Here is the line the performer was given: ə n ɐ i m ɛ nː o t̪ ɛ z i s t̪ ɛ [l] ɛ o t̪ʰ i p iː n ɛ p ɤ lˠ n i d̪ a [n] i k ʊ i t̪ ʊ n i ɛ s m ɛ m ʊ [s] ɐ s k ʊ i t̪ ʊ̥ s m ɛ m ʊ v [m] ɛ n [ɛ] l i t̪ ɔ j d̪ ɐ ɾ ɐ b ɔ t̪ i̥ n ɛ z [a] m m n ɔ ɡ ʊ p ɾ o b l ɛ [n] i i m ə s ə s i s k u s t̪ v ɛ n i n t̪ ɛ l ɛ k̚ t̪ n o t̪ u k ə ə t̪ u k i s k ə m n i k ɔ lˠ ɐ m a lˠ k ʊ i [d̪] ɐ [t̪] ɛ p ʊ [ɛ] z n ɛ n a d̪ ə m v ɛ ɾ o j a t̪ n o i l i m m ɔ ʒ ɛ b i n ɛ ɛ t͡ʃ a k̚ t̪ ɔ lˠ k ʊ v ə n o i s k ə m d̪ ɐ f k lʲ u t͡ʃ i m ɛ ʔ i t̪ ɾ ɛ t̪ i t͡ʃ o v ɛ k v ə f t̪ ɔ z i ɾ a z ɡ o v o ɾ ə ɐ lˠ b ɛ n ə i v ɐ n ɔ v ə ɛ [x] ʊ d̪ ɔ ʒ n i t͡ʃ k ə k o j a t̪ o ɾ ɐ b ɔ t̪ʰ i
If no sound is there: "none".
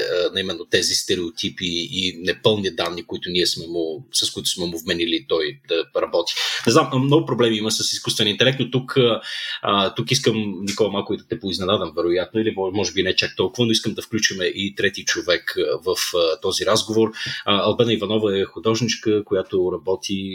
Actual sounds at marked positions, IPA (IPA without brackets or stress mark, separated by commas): ɾ, nː, s, m, i, a, m, d̪, t̪, i, x